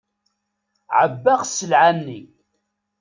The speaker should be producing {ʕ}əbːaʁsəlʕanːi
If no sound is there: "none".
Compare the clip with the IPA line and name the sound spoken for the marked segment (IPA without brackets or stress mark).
ʕ